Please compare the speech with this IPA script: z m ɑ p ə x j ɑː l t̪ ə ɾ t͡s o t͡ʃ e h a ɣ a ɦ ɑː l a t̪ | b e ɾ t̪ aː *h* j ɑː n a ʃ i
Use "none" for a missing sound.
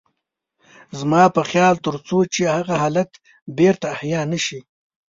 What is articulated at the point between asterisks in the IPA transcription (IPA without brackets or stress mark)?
h